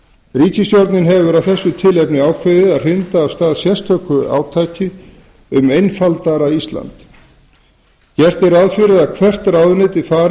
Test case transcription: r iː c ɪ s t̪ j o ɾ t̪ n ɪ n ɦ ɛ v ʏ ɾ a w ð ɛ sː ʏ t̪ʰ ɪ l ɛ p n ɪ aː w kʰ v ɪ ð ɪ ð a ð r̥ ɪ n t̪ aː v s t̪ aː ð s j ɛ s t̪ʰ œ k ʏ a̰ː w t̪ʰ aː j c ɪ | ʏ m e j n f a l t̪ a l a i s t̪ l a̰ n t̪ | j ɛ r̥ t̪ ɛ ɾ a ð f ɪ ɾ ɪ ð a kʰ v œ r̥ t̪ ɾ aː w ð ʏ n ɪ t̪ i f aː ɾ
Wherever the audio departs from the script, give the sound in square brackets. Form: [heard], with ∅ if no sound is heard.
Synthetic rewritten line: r iː c ɪ s t̪ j o ɾ t̪ n ɪ n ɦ ɛ v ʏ ɾ a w [θ] ɛ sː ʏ t̪ʰ ɪ l ɛ p n ɪ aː w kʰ v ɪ ð ɪ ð a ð r̥ ɪ n t̪ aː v s t̪ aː ð s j ɛ s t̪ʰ œ k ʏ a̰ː w t̪ʰ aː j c ɪ | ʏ m e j n f a l t̪ a [ɾ] a i s t̪ l a̰ n t̪ | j ɛ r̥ t̪ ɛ ɾ a ð f ɪ ɾ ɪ ð a kʰ v [ɛ] r̥ t̪ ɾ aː w ð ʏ n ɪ t̪ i f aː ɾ